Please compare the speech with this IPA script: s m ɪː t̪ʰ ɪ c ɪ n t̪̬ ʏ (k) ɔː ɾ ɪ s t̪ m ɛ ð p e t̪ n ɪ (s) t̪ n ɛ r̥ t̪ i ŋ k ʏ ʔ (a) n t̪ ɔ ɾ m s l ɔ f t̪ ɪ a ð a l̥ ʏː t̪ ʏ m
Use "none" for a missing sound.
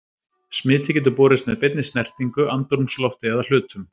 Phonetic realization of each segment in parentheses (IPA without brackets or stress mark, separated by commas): p, s, a